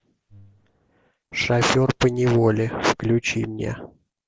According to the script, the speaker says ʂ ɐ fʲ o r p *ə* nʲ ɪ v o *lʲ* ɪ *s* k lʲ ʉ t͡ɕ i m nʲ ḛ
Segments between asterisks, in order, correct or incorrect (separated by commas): correct, correct, incorrect